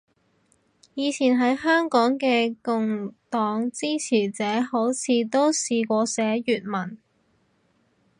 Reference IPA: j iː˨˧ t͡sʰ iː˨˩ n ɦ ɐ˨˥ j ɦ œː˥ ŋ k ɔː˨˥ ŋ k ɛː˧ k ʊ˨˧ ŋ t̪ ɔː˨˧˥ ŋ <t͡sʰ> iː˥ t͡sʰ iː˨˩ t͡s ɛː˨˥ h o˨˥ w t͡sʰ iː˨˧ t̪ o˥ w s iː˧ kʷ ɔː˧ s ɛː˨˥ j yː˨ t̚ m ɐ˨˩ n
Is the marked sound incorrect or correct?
incorrect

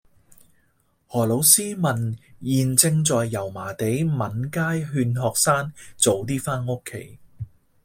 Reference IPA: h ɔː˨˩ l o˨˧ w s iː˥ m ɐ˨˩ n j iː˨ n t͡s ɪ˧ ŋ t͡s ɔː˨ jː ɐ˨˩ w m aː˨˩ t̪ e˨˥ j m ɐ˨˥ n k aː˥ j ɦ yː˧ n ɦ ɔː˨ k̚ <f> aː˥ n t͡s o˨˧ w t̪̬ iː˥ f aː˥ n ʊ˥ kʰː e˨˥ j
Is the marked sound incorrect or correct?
incorrect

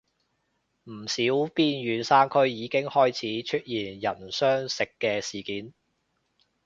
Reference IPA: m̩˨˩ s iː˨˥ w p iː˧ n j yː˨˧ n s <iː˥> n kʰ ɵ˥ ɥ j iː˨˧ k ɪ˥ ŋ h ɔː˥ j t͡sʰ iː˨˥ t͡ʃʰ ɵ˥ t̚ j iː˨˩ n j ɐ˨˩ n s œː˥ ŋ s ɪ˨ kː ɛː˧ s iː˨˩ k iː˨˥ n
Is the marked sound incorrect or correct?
incorrect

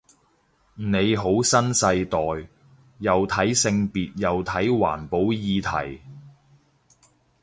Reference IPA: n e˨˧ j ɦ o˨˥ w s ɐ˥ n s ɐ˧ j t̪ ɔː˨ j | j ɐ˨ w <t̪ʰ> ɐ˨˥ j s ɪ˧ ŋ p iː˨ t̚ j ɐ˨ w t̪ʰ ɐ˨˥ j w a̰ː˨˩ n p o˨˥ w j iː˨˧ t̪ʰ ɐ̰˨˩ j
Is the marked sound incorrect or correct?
correct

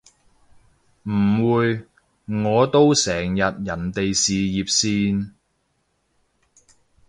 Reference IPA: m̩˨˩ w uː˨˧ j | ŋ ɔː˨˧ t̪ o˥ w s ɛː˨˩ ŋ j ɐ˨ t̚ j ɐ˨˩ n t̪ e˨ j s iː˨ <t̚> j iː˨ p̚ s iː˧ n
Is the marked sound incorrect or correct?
incorrect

